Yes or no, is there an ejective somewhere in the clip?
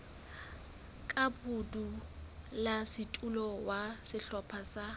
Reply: yes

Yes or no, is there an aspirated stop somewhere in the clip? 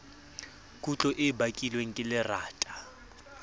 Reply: no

